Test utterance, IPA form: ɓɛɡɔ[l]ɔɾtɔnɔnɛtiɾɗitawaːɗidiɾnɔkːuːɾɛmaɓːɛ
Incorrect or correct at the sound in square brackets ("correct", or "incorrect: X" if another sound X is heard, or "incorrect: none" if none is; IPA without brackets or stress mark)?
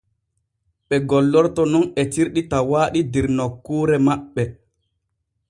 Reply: incorrect: lː